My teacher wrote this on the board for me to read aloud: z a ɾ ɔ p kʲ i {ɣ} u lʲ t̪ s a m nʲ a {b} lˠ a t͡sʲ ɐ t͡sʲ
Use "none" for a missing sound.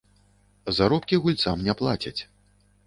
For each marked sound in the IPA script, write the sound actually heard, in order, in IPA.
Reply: ɣ, p

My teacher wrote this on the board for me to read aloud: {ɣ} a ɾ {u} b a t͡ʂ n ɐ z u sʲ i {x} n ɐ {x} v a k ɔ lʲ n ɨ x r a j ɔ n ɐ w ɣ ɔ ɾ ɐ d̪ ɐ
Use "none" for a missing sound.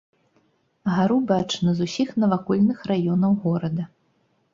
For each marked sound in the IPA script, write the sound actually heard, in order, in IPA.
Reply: ɣ, u, x, none

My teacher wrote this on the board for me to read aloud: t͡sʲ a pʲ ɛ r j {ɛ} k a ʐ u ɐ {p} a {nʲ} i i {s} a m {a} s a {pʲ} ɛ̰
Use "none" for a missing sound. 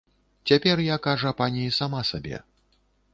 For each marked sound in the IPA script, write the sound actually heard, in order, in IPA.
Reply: a, p, nʲ, s, a, bʲ

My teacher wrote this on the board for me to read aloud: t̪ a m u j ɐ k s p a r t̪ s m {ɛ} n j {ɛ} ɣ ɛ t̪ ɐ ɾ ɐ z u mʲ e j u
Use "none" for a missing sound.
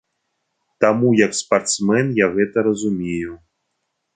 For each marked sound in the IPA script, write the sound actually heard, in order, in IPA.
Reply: ɛ, a

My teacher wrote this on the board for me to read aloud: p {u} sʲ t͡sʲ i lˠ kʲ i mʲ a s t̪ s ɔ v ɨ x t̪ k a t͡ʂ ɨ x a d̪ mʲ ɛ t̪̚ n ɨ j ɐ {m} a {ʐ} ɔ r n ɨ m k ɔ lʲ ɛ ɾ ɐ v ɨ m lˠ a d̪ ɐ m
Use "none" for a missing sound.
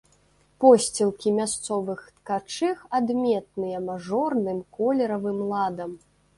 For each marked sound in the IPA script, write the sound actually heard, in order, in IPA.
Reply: ɔ, m, ʐ

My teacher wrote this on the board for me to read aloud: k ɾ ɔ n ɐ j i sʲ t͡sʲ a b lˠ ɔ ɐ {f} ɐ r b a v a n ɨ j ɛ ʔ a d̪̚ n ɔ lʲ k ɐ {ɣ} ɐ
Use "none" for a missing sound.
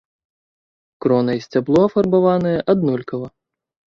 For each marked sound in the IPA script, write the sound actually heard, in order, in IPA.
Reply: f, v

